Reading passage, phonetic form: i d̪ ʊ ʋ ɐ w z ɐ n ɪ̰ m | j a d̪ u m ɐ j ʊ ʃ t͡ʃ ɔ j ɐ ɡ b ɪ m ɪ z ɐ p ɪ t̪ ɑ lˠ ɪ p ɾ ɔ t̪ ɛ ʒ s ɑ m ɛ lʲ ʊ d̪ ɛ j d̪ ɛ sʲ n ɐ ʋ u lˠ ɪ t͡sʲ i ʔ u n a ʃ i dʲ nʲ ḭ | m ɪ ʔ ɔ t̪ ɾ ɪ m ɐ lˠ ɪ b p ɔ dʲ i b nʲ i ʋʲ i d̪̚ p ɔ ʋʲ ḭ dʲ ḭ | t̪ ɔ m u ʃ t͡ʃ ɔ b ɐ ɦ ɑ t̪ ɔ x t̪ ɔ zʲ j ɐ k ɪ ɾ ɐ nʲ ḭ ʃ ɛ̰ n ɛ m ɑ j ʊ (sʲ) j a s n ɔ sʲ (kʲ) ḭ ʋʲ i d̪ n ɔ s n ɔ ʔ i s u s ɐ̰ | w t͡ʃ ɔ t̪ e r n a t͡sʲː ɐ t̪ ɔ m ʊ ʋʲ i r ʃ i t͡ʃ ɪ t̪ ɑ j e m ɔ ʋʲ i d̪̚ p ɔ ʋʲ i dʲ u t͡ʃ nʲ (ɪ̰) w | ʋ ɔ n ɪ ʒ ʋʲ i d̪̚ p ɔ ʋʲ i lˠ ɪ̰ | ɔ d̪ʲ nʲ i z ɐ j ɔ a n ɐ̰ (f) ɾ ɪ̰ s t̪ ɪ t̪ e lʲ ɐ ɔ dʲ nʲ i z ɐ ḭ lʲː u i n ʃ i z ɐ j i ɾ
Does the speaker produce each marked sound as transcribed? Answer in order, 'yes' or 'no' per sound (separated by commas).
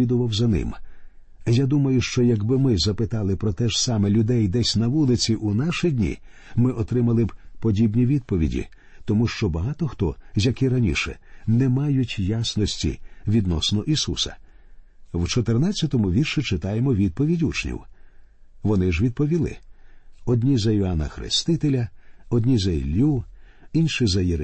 no, no, no, no